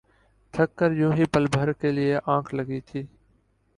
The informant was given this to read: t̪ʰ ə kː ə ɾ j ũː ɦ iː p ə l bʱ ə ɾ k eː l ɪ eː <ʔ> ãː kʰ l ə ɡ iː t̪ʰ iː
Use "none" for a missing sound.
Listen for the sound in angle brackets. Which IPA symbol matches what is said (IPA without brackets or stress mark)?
ʔ